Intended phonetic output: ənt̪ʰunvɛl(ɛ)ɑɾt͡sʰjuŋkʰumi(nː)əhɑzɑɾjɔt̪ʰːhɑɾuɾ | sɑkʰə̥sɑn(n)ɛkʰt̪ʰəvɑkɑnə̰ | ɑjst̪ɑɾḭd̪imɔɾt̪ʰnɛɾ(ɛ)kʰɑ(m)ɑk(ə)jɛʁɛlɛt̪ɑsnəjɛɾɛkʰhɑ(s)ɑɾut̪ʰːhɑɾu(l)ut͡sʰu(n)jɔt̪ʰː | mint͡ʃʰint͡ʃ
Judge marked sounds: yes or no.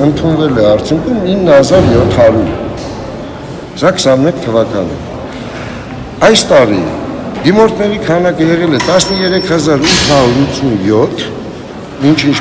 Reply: yes, yes, no, no, no, yes, no, no, yes

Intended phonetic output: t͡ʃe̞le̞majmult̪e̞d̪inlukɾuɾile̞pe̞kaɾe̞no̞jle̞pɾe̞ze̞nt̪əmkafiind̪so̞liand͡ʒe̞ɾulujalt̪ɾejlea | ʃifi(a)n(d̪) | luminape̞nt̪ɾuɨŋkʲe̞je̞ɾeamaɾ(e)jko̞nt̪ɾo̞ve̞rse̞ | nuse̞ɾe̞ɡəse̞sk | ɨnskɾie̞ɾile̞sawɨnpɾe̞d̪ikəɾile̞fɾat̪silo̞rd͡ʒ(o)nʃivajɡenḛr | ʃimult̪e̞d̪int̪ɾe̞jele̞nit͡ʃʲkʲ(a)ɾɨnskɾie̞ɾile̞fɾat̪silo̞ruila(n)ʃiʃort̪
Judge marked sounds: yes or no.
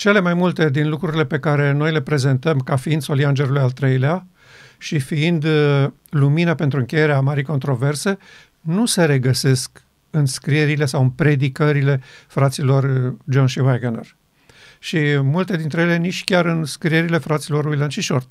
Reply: no, yes, no, yes, yes, yes

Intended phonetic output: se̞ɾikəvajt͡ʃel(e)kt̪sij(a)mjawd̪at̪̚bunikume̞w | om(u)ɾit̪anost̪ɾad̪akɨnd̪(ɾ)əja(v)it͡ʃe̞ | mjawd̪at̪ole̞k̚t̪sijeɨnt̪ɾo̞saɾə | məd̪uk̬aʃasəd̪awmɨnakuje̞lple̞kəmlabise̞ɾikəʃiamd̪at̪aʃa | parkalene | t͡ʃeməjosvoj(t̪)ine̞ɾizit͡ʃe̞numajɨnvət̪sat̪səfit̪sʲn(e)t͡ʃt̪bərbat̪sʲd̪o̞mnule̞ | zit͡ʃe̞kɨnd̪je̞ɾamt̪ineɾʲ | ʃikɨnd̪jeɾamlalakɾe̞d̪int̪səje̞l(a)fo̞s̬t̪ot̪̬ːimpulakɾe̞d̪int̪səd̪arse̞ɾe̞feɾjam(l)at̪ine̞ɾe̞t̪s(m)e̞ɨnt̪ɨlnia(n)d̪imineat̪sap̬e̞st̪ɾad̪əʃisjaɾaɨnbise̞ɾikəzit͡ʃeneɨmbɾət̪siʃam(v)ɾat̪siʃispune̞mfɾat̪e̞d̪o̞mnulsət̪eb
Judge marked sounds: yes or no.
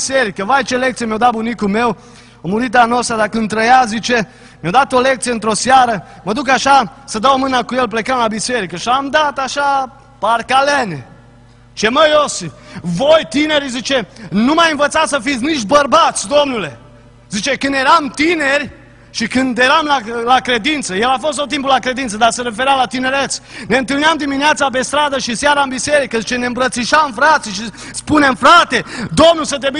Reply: yes, no, yes, yes, no, yes, no, yes, yes, no, no, no

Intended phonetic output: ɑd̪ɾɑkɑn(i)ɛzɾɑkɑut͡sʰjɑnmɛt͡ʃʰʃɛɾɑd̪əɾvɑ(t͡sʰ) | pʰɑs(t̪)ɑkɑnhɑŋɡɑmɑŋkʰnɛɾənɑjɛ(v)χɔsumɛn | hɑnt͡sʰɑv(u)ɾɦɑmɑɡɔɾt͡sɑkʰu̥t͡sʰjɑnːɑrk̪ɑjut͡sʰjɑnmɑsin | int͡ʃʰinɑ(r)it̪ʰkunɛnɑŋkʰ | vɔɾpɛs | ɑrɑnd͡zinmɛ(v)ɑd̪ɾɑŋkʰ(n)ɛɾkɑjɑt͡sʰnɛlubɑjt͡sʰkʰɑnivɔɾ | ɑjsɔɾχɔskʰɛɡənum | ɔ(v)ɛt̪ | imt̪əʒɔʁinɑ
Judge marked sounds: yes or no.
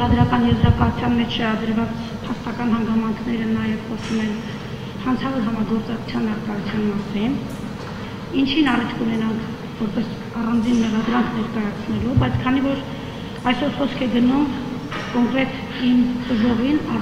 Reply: no, no, yes, yes, no, yes, no, yes, no

